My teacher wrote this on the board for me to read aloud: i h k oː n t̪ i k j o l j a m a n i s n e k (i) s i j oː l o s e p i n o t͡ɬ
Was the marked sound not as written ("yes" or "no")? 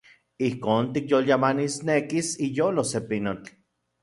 no